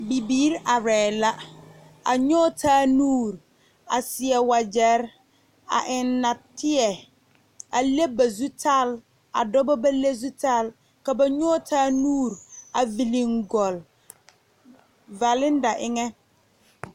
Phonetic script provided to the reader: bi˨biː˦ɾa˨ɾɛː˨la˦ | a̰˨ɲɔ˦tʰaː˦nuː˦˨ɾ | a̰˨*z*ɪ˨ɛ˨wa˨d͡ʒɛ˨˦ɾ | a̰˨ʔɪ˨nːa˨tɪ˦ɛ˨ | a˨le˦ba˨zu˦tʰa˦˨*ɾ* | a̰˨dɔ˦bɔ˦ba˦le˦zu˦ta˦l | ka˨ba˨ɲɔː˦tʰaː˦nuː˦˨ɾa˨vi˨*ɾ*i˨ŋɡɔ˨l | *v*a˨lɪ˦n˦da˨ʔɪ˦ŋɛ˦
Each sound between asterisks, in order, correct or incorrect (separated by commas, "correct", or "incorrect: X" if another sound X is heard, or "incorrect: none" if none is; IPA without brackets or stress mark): incorrect: s, incorrect: l, incorrect: l, correct